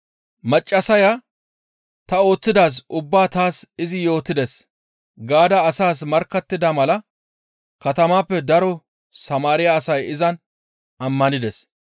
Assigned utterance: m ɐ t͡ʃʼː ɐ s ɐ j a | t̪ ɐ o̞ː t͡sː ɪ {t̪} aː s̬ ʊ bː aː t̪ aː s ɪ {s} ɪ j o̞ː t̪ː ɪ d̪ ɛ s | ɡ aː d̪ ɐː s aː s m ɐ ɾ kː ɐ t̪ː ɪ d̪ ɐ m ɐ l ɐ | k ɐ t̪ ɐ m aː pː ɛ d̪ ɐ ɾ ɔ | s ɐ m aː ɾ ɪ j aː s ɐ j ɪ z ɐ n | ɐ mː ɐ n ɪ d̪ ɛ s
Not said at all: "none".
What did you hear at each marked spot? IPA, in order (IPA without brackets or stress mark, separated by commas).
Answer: d̪, z